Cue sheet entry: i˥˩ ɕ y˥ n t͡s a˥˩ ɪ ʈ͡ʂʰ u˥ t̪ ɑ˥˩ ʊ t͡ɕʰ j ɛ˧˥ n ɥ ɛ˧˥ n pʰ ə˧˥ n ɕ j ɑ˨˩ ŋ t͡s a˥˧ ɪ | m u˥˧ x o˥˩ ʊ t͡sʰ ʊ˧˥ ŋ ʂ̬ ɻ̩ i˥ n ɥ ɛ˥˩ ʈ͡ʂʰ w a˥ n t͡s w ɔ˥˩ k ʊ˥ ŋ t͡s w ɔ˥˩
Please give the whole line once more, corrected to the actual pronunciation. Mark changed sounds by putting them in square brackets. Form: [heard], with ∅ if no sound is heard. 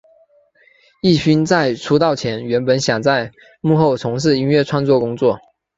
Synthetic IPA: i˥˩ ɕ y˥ n t͡s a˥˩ ɪ ʈ͡ʂʰ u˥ t̪ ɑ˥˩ ʊ t͡ɕʰ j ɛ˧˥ n ɥ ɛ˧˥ n [p] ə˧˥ n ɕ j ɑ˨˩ ŋ t͡s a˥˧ ɪ | m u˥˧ x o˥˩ ʊ t͡sʰ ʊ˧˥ ŋ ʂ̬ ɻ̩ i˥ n ɥ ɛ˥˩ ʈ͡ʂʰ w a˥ n t͡s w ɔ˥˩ k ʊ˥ ŋ t͡s w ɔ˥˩